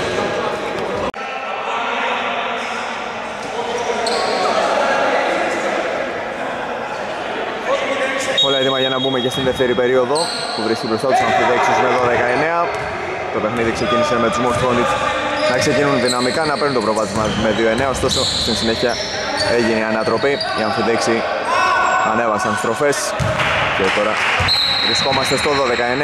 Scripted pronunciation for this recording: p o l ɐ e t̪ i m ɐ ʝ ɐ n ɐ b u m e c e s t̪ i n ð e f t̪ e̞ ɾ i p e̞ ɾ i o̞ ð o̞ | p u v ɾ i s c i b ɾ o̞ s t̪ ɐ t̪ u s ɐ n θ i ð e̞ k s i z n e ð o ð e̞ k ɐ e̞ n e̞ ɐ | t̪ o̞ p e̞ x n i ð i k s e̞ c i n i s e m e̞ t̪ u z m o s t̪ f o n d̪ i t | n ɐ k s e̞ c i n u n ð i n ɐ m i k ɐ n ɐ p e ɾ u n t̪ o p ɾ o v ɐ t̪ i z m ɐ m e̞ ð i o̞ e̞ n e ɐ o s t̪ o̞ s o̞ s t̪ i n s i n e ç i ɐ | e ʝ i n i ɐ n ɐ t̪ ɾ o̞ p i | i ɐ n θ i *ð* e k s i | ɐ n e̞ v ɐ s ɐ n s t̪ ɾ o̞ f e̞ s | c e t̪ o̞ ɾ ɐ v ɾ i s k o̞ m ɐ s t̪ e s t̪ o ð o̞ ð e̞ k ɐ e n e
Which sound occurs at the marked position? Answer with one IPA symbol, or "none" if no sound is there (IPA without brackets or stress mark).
ð